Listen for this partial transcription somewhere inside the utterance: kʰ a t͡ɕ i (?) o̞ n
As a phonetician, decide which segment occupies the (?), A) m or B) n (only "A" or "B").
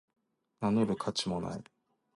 A